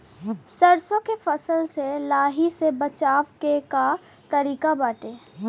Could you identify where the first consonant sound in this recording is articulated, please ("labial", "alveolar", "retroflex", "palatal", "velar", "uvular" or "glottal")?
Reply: alveolar